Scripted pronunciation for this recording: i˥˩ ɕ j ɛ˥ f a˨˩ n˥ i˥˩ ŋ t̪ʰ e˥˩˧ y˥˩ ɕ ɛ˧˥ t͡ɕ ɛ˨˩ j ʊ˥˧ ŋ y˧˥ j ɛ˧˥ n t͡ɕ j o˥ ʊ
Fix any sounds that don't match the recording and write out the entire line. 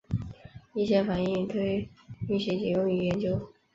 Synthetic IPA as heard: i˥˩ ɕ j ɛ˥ f a˨˩ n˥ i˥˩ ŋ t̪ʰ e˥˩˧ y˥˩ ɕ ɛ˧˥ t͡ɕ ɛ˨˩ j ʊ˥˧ ŋ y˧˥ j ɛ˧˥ n t͡ɕ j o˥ ʊ